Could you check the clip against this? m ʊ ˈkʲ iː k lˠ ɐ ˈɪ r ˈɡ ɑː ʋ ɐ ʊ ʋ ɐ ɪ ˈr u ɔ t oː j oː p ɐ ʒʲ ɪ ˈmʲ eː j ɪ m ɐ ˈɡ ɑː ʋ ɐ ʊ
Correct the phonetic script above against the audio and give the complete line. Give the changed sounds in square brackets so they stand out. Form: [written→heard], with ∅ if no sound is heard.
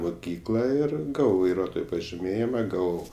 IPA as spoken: m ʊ ˈkʲ iː k lˠ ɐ ˈɪ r ˈɡ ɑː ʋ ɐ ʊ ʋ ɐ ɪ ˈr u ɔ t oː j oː p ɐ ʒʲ ɪ ˈmʲ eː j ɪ m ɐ ˈɡ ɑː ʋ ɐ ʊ